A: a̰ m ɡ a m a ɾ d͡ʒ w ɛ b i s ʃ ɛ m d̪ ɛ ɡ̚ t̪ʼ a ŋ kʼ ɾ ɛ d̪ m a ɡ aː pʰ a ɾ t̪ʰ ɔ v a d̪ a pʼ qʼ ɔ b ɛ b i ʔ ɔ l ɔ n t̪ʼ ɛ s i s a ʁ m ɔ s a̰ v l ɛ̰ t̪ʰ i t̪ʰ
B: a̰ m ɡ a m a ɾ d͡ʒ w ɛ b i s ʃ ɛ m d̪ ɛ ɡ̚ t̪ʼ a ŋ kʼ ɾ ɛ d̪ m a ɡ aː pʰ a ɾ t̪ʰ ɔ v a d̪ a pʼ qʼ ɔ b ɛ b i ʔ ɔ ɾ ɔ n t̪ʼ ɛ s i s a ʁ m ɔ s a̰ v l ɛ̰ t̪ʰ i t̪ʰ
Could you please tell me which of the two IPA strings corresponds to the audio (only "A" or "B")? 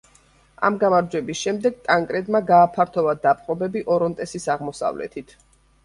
B